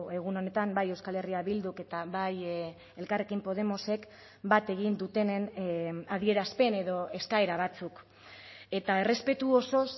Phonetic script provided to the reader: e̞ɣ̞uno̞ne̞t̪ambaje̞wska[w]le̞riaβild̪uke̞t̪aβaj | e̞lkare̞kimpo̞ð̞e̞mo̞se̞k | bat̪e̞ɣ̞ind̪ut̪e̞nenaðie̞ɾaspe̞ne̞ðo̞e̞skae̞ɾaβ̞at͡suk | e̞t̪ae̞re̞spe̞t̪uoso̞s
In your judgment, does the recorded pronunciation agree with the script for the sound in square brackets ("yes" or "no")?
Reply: no